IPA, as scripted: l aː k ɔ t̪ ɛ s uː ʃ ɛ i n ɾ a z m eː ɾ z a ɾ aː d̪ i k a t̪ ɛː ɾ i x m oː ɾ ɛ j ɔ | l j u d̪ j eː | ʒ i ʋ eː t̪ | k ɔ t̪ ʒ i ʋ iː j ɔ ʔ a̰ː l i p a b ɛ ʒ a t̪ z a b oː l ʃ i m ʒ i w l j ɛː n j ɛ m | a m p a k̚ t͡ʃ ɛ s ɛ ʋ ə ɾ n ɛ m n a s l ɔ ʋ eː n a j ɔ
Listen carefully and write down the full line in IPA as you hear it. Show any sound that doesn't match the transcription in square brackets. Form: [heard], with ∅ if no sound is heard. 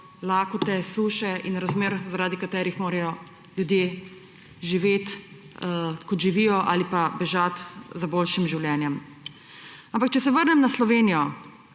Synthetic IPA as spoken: l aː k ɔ t̪ ɛ s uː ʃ ɛ i n ɾ a z m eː ɾ z a ɾ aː d̪ i k a t̪ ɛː ɾ i x m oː ɾ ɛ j ɔ | l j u d̪ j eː | ʒ i ʋ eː t̪ | k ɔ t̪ ʒ i ʋ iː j ɔ ʔ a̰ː l i p a b ɛ ʒ a t̪ z a b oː l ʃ i m ʒ i w l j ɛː n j ɛ m | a m p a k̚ t͡ʃ ɛ s ɛ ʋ ə ɾ n ɛ m n a s l ɔ ʋ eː n [i] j ɔ